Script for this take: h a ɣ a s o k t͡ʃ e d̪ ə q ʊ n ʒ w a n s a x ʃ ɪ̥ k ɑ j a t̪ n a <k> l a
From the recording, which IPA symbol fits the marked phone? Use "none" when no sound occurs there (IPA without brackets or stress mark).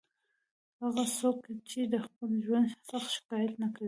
k